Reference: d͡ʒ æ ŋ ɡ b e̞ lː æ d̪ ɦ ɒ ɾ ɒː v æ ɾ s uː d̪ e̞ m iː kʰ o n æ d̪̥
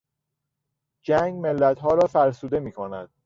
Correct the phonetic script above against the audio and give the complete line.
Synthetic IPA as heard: d͡ʒ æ ŋ ɡ m e̞ lː æ t̪ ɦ ɒː ɾ ɒː f æ ɾ s uː d̪ e̞ m iː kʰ o n æ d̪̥